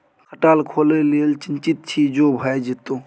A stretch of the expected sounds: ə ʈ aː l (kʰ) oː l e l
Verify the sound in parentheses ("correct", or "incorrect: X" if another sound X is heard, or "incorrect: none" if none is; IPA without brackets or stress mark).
correct